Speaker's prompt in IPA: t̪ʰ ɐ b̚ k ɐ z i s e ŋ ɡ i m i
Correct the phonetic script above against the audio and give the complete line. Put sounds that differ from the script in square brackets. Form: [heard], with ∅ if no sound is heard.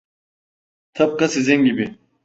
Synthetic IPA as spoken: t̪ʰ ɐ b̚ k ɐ [s] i [z] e ŋ ɡ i [b] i